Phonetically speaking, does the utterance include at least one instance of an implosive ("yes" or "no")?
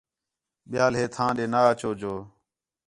yes